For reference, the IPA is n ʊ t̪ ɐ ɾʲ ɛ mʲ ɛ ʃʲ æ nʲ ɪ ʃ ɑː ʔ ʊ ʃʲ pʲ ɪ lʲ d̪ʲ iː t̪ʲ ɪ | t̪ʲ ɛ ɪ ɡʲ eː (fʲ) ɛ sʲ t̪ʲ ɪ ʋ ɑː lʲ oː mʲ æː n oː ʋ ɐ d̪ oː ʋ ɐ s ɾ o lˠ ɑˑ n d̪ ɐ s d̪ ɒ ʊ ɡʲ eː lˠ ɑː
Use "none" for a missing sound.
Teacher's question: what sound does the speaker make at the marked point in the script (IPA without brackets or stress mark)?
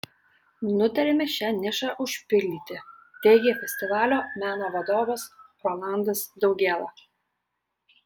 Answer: fʲ